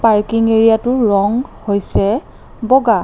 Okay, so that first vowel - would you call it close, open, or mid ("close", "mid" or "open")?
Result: open